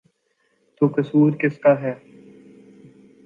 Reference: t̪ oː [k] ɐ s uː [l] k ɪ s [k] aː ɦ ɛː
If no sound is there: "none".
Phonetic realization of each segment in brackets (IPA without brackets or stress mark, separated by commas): k, ɾ, k